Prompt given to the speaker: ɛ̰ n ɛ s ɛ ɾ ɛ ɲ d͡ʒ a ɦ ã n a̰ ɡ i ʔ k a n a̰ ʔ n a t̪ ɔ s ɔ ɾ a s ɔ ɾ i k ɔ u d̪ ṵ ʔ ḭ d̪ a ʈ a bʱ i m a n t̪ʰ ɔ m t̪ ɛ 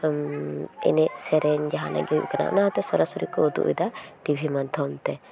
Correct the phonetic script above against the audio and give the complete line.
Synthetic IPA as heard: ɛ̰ n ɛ s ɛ ɾ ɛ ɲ d͡ʒ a ɦ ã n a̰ ɡ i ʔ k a n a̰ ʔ n a t̪ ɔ s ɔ ɾ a s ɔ ɾ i k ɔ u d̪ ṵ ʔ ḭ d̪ a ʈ i bʱ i m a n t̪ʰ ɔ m t̪ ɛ